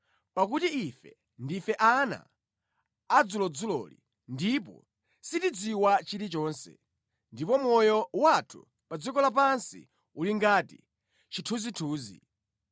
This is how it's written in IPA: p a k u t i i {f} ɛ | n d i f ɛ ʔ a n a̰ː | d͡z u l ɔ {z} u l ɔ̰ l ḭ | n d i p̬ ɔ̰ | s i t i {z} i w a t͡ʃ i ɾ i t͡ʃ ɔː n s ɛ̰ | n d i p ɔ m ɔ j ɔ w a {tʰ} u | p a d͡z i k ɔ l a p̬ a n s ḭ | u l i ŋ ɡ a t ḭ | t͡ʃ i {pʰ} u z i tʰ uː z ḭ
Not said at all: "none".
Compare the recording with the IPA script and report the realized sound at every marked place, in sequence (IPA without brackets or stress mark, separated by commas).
f, d͡z, d͡z, tʰ, tʰ